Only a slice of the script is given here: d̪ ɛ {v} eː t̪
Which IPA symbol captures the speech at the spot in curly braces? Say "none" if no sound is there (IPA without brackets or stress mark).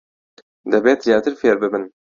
b